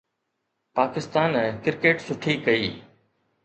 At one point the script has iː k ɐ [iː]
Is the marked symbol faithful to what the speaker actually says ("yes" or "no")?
yes